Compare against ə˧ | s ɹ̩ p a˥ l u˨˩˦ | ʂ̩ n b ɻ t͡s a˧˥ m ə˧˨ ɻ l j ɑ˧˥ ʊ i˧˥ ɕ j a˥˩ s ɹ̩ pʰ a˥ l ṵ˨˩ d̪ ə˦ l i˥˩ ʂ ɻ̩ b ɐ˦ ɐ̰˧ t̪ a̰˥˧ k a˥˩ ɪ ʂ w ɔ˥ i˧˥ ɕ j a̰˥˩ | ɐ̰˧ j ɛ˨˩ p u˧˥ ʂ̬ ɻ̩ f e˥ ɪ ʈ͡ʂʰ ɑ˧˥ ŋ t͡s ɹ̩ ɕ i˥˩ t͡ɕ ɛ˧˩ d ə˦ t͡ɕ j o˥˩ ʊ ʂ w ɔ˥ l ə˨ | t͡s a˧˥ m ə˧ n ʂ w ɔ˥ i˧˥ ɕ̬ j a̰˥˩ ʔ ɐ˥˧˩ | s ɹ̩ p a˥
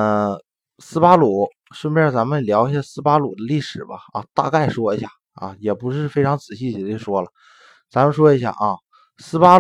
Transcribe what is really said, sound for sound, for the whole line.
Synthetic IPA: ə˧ | s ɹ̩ p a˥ l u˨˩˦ | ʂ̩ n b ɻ t͡s a˧˥ m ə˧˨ l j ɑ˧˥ ʊ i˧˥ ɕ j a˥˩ s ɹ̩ p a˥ l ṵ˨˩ d̪ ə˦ l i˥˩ ʂ ɻ̩ b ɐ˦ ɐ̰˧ t̪ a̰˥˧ k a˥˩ ɪ ʂ w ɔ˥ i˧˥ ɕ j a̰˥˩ | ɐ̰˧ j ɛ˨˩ p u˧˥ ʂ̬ ɻ̩ f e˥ ɪ ʈ͡ʂʰ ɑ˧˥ ŋ t͡s ɹ̩ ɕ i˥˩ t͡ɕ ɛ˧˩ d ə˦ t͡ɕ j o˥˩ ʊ ʂ w ɔ˥ l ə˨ | t͡s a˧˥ m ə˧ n ʂ w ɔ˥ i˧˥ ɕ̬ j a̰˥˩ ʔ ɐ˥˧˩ | s ɹ̩ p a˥